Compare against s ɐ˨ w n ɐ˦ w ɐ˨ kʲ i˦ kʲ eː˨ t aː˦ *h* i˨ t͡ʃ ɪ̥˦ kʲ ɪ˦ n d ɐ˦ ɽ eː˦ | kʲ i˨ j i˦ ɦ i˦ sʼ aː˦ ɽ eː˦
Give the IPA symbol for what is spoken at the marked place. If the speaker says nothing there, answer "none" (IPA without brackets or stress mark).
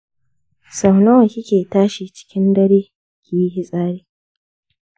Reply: ʃ